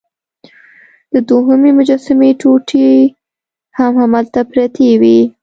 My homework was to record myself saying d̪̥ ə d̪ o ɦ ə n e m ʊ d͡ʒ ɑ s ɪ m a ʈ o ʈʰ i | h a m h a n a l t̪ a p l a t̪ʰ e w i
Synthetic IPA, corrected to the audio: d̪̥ ə d̪ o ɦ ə m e m ʊ d͡ʒ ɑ s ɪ m e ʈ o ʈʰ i | h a m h a m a l t̪ a p ɾ a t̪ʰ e w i